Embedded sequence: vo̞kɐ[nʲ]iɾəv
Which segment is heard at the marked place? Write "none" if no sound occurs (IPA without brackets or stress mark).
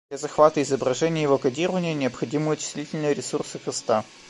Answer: dʲ